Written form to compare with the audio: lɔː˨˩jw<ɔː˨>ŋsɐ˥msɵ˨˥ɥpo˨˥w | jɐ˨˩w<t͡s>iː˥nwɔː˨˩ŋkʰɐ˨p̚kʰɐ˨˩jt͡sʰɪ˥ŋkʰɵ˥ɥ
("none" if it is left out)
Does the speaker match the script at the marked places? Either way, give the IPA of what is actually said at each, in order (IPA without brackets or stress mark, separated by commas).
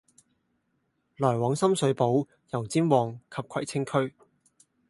ɔː˨˥, t͡s